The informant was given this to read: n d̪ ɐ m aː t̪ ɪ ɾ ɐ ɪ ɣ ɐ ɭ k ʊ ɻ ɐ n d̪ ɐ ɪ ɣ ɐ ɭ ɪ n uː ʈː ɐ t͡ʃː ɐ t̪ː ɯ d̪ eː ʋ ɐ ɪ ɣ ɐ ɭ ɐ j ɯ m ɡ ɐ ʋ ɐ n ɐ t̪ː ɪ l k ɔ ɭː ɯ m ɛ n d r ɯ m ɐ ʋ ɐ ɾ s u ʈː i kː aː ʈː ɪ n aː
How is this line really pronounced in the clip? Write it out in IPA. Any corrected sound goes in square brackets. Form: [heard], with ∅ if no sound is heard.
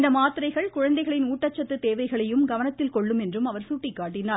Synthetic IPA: n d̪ ɐ m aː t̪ ɪ ɾ ɐ ɪ ɣ ɐ ɭ k ʊ ɻ ɐ n d̪ ɐ ɪ ɣ ɐ ɭ ɪ n uː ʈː ɐ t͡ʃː ɐ t̪ː ɯ [t̪] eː ʋ ɐ ɪ ɣ ɐ ɭ ɐ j ɯ m ɡ ɐ ʋ ɐ n ɐ t̪ː ɪ l k ɔ ɭː ɯ m ɛ n d r ɯ m ɐ ʋ ɐ ɾ s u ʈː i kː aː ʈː ɪ n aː

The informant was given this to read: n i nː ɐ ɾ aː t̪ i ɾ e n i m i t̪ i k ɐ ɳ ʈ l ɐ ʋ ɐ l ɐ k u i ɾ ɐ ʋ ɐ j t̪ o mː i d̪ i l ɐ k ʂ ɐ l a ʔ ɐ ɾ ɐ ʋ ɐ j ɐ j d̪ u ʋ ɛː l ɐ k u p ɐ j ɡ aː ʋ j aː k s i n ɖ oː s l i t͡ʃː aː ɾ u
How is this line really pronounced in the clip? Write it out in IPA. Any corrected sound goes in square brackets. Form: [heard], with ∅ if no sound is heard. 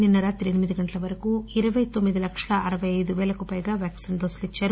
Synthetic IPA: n i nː ɐ ɾ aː t̪ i ɾ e n i m i [d̪] i [ɡ] ɐ ɳ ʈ l ɐ ʋ ɐ [ɾ] ɐ k u i ɾ ɐ ʋ ɐ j t̪ o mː i d̪ i l ɐ k ʂ ɐ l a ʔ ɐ ɾ ɐ ʋ ɐ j ɐ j d̪ u ʋ ɛː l ɐ k u p ɐ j ɡ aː ʋ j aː k s i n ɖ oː s l i t͡ʃː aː ɾ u

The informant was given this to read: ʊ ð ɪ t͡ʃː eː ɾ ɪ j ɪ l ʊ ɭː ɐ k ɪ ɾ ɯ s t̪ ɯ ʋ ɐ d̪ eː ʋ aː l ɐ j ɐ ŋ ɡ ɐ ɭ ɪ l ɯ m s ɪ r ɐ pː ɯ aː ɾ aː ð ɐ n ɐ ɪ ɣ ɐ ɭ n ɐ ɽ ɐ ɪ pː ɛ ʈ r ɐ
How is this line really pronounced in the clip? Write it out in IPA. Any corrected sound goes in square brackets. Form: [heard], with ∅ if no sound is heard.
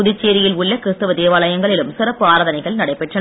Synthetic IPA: ʊ ð ɪ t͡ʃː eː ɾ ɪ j ɪ l ʊ ɭː ɐ k ɪ ɾ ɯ s t̪ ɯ ʋ ɐ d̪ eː ʋ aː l ɐ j ɐ ŋ ɡ ɐ ɭ ɪ l ɯ m s ɪ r ɐ pː ɯ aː ɾ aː ð ɐ n ɐ ɪ ɣ ɐ ɭ n ɐ ɽ ɐ ɪ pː ɛ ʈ r ɐ

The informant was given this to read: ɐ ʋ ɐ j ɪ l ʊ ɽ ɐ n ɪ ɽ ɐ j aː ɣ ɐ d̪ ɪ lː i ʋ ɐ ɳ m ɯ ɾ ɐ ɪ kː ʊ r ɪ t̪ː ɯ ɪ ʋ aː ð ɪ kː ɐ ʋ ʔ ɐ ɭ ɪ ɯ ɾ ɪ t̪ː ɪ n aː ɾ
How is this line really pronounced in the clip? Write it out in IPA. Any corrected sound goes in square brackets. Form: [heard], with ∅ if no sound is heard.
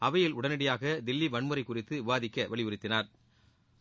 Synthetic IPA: ɐ ʋ ɐ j ɪ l ʊ ɽ ɐ n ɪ ɽ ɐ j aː ɣ ɐ d̪ ɪ lː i ʋ ɐ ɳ m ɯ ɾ ɐ ɪ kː ʊ r ɪ t̪ː ɯ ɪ ʋ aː ð ɪ kː ɐ ʋ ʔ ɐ ɭ ɪ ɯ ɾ ɪ t̪ː ɪ n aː ɾ

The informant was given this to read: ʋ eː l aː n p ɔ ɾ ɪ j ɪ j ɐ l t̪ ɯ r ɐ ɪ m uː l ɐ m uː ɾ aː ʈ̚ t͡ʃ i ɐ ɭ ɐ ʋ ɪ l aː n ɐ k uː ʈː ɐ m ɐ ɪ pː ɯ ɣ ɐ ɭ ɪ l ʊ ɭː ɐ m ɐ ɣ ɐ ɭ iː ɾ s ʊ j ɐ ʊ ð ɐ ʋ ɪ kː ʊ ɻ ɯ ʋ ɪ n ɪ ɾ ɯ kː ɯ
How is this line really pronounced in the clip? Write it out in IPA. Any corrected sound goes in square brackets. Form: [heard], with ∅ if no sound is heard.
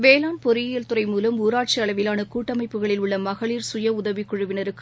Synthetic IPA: ʋ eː l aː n p ɔ ɾ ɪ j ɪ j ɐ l t̪ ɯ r ɐ ɪ m uː l ɐ m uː ɾ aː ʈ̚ t͡ʃ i ɐ ɭ ɐ ʋ ɪ l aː n ɐ k uː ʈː ɐ m ɐ ɪ pː ɯ ɣ ɐ ɭ ɪ l ʊ ɭː ɐ m ɐ ɣ ɐ ɭ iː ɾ s ʊ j ɐ ʊ ð ɐ ʋ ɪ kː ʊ ɻ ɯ ʋ ɪ n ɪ ɾ ɯ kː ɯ

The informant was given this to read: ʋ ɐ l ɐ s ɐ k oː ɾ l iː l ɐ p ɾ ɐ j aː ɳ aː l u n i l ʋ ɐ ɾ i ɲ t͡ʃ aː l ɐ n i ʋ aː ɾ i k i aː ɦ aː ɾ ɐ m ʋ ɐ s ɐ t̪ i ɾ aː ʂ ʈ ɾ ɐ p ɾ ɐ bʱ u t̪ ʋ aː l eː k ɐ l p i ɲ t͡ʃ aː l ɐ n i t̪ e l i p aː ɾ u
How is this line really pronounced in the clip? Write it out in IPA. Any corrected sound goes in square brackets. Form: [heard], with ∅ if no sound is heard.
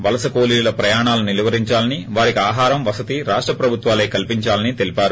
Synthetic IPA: ʋ ɐ l ɐ s ɐ k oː [∅] l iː l ɐ p ɾ ɐ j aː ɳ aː l u n i l ʋ ɐ ɾ i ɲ t͡ʃ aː l ɐ n i ʋ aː ɾ i k i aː ɦ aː ɾ ɐ m ʋ ɐ s ɐ t̪ i ɾ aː ʂ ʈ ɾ ɐ p ɾ ɐ bʱ u t̪ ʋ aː l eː k ɐ l p i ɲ t͡ʃ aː l ɐ n i t̪ e l i p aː ɾ u

